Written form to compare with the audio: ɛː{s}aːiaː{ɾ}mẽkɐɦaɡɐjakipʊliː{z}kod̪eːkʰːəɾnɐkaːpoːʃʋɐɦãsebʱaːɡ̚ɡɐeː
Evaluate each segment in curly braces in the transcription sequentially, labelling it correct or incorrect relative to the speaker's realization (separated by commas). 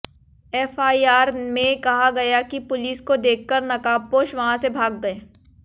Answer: incorrect, correct, incorrect